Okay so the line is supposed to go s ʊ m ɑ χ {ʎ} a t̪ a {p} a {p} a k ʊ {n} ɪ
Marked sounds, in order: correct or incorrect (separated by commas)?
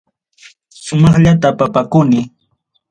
correct, correct, correct, correct